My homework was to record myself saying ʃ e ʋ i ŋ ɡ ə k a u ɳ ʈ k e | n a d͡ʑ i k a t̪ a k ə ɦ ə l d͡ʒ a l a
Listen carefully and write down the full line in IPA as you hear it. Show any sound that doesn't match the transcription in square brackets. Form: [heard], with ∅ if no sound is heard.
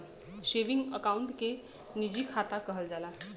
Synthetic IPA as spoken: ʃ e ʋ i ŋ ɡ ə k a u ɳ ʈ k e | n [i] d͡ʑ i [kʰ] a t̪ a k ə ɦ ə l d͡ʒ a l a